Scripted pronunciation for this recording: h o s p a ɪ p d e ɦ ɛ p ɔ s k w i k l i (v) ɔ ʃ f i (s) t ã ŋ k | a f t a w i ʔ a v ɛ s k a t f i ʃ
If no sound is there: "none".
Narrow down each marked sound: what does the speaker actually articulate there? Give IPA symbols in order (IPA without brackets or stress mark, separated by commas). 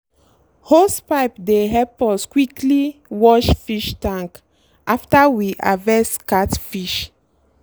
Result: w, ʃ